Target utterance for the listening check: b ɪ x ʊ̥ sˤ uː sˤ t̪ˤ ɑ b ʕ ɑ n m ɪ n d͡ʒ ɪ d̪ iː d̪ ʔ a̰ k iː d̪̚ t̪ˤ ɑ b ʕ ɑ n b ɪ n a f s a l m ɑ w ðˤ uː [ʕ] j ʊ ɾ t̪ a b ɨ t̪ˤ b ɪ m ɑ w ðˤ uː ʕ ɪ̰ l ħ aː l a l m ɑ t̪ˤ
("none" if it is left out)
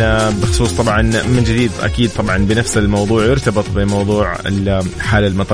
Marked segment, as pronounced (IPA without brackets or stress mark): ʕ